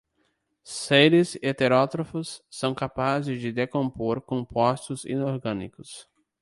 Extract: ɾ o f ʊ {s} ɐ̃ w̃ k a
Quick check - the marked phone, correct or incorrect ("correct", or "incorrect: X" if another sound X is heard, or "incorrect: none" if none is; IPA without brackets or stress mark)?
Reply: incorrect: sː